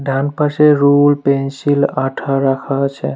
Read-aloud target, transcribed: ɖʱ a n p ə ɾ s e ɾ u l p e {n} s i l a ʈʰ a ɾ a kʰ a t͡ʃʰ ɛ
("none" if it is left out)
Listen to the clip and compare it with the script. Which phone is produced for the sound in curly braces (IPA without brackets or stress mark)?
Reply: n